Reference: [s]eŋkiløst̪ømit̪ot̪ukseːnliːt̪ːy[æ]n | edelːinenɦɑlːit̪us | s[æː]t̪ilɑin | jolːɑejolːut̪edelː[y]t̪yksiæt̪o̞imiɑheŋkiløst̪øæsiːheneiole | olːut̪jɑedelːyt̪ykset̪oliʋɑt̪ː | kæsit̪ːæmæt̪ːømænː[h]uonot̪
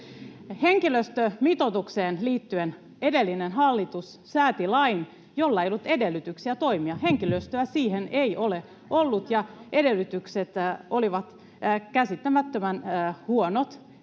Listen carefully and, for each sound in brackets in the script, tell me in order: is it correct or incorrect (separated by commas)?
incorrect, incorrect, correct, correct, correct